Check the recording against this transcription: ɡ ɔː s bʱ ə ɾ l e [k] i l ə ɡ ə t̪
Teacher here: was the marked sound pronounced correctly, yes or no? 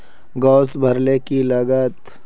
yes